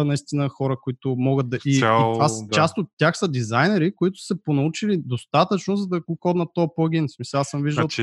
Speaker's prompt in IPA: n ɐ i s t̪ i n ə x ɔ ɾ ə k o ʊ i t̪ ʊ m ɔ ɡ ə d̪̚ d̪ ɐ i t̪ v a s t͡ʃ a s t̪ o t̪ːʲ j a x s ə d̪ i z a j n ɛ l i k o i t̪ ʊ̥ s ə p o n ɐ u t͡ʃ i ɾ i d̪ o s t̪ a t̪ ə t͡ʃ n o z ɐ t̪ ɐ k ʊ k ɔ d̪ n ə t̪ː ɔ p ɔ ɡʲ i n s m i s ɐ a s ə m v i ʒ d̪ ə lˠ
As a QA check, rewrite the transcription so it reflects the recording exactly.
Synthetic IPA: n ɐ i s t̪ i n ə x ɔ ɾ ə k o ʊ i t̪ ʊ m ɔ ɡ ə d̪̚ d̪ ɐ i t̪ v a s t͡ʃ a s t̪ o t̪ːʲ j a x s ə d̪ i z a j n ɛ ɾ i k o i t̪ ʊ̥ s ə p o n ɐ u t͡ʃ i l i d̪ o s t̪ a t̪ ə t͡ʃ n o z ɐ d̪ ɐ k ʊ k ɔ d̪ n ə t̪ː ɔ p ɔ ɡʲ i n s m i s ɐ a s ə m v i ʒ d̪ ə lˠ